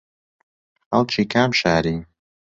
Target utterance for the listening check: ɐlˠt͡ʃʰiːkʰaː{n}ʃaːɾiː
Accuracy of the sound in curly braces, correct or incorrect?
incorrect: m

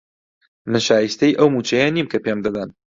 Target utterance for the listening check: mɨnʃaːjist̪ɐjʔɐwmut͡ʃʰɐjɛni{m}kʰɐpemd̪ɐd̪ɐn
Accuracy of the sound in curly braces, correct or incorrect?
correct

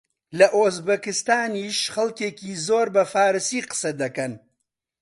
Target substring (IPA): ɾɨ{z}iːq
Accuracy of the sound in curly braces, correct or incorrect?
incorrect: s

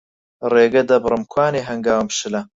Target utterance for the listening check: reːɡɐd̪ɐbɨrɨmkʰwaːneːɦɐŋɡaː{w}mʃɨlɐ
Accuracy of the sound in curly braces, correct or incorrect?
correct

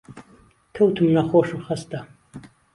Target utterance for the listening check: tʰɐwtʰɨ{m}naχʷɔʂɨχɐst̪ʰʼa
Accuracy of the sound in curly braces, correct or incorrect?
correct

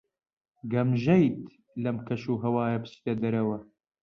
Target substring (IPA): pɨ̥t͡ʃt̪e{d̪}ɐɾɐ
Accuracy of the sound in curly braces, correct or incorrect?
correct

